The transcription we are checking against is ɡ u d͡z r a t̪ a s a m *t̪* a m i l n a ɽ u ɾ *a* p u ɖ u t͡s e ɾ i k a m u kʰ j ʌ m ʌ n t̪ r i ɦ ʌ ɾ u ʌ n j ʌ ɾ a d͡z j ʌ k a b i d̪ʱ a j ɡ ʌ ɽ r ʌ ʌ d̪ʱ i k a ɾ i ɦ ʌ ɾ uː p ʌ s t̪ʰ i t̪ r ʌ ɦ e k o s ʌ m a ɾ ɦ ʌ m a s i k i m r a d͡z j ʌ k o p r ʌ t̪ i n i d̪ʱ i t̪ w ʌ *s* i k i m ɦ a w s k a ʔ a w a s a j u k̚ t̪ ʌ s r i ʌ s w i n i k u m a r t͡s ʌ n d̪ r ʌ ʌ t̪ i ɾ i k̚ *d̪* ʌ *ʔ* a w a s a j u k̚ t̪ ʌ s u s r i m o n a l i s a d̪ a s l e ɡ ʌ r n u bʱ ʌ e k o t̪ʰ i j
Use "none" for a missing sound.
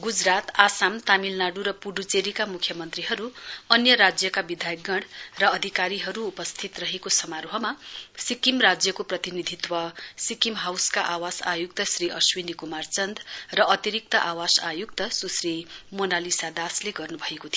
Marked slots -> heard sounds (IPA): t̪, ʌ, s, t̪, ʔ

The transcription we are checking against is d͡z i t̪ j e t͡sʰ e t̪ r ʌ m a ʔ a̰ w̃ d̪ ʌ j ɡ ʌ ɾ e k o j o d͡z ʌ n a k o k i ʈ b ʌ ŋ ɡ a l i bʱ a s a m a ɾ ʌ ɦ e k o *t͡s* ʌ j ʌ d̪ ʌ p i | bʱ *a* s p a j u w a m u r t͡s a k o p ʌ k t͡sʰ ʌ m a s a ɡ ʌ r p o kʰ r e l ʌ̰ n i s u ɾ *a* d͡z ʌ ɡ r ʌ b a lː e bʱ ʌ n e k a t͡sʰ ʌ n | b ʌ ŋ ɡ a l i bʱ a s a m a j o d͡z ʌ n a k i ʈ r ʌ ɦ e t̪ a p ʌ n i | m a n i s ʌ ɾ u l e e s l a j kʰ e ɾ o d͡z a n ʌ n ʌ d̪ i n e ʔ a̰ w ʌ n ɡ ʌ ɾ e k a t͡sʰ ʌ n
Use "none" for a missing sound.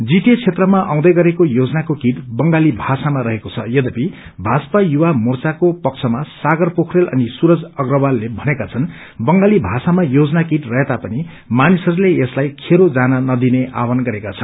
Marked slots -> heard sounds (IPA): t͡sʰ, a, ʌ

